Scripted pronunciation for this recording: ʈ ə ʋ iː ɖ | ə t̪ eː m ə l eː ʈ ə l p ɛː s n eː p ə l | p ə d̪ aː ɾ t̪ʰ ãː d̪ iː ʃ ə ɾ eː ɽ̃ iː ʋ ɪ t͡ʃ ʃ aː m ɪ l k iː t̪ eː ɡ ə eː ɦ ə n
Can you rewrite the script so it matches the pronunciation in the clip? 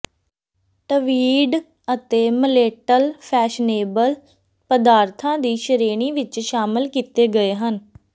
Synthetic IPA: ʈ ə ʋ iː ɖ | ə t̪ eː m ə l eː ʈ ə l pʰ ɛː ʃ n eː b ə l | p ə d̪ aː ɾ t̪ʰ ãː d̪ iː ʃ ə ɾ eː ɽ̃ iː ʋ ɪ t͡ʃ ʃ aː m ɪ l k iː t̪ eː ɡ ə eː ɦ ə n